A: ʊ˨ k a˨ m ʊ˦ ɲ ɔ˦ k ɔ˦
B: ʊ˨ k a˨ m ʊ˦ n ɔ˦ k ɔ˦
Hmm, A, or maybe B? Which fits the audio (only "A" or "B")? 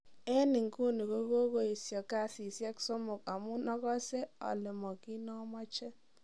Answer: B